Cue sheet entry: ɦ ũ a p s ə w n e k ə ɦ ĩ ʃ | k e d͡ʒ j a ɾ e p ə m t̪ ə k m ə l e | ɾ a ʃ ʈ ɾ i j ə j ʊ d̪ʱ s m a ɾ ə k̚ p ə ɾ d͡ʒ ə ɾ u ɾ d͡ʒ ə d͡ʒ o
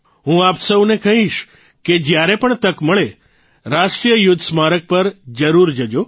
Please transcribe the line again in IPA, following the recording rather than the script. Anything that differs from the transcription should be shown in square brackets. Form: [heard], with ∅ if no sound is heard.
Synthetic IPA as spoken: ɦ ũ a p s ə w n e k ə ɦ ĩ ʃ | k e d͡ʒ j a ɾ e p ə [ɳ] t̪ ə k m ə [ɭ] e | ɾ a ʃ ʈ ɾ i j ə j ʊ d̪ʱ s m a ɾ ə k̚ p ə ɾ d͡ʒ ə ɾ u ɾ d͡ʒ ə d͡ʒ o